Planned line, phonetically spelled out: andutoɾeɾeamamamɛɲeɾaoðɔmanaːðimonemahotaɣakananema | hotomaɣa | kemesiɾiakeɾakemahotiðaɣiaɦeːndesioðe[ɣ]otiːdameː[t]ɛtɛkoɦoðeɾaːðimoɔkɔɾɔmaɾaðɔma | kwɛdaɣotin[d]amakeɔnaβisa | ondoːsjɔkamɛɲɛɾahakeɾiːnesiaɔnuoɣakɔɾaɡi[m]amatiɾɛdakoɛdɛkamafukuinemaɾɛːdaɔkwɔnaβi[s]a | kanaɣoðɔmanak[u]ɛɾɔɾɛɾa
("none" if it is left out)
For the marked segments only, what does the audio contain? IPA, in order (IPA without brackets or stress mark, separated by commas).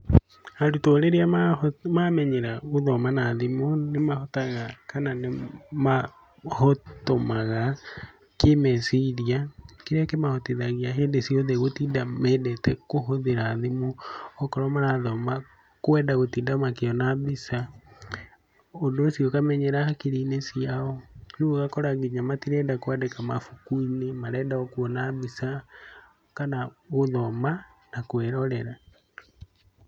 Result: ɣ, d, d, ɲ, s, w